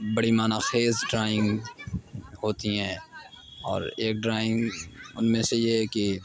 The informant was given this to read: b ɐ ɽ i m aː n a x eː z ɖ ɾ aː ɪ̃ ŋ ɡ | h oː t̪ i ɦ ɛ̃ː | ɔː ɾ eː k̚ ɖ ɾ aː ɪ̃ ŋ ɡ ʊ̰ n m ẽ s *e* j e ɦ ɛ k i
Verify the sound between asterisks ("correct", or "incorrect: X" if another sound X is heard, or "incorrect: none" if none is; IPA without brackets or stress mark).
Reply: correct